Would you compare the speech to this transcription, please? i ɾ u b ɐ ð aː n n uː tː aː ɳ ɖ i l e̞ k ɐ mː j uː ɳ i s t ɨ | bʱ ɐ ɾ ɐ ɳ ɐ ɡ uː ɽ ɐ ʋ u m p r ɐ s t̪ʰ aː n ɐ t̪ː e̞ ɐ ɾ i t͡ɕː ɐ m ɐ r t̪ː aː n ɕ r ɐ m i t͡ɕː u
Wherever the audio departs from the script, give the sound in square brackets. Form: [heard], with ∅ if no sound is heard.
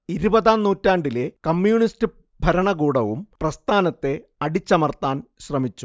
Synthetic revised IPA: i ɾ u b ɐ ð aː n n uː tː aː ɳ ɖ i l e̞ k ɐ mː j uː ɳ i s t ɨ | bʱ ɐ ɾ ɐ ɳ ɐ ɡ uː ɽ ɐ ʋ u m p r ɐ s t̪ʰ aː n ɐ t̪ː e̞ ɐ [ɽ] i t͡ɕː ɐ m ɐ r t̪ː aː n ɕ r ɐ m i t͡ɕː u